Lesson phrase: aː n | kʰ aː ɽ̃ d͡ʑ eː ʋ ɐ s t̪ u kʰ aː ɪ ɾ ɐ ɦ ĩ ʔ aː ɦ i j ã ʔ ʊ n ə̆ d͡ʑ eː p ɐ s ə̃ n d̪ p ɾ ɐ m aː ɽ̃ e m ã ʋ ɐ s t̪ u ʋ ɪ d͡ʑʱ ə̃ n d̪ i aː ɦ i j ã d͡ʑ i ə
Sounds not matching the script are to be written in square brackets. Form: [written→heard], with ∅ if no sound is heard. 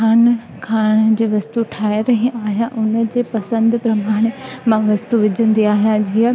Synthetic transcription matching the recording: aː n | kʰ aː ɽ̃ d͡ʑ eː ʋ ɐ s t̪ u [kʰ→ʈʰ] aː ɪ ɾ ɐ ɦ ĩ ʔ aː ɦ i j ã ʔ ʊ n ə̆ d͡ʑ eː p ɐ s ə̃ n d̪ p ɾ ɐ m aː ɽ̃ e m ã ʋ ɐ s t̪ u ʋ ɪ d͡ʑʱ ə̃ n d̪ i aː ɦ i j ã d͡ʑ i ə